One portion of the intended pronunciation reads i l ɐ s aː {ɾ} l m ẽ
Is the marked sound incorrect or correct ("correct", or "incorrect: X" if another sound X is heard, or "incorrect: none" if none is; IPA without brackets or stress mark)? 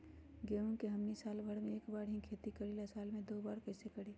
incorrect: none